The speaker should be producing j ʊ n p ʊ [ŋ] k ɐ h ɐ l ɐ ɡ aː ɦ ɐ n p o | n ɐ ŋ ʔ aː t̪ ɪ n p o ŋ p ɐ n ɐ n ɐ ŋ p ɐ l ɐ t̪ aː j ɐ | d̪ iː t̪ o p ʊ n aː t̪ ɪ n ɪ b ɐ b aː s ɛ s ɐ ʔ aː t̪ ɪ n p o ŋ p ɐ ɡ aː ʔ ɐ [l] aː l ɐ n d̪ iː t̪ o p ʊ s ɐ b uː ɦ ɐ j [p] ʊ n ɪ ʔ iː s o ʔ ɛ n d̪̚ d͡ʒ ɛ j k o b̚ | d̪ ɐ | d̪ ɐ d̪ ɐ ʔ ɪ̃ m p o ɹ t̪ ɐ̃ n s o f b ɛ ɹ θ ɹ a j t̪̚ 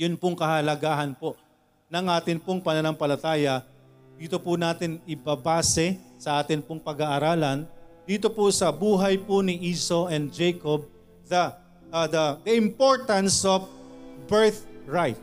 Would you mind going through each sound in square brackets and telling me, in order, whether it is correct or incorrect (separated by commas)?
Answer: correct, incorrect, correct